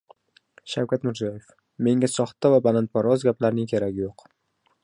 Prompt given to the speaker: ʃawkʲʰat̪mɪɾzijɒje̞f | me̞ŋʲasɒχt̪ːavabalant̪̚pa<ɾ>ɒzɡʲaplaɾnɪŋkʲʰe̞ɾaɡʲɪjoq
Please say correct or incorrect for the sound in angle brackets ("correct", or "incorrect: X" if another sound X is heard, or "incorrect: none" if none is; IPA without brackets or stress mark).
correct